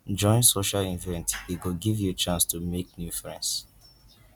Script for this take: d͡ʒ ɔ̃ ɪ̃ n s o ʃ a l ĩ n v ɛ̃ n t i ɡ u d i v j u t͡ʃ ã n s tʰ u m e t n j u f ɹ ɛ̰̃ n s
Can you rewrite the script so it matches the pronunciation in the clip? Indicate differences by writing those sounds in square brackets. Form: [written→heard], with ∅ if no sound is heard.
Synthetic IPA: d͡ʒ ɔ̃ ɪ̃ n s o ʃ a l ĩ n v ɛ̃ n t i ɡ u [d→ɡ] i v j u t͡ʃ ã n s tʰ u m e [t→k] n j u f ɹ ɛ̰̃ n s